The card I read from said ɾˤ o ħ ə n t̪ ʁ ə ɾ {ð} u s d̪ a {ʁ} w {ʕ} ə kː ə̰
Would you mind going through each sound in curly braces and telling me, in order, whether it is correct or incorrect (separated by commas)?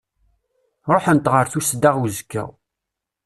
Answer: incorrect, correct, incorrect